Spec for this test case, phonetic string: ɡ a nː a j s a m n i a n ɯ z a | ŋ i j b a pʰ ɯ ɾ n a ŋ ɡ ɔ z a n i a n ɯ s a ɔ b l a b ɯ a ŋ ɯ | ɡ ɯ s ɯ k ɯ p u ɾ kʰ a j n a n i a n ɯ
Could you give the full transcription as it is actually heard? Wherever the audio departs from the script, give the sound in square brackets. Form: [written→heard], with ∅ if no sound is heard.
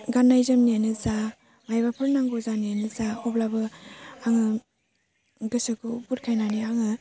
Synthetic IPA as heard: ɡ a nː a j [s→z] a m n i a n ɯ z a | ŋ [i→a] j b a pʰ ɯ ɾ n a ŋ ɡ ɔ z a n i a n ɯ [s→z] a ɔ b l a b ɯ a ŋ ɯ | ɡ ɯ s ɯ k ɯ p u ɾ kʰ a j n a n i a [n→ŋ] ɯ